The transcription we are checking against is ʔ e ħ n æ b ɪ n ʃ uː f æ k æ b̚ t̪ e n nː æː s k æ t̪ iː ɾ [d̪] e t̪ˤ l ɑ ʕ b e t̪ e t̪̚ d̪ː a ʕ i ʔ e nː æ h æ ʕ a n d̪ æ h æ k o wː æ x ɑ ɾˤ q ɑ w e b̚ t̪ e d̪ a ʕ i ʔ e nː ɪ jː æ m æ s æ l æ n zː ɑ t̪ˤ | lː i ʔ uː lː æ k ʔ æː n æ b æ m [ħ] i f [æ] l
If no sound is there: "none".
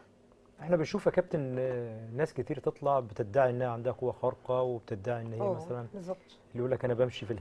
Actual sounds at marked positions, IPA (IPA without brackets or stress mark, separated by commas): t̪, ʃ, i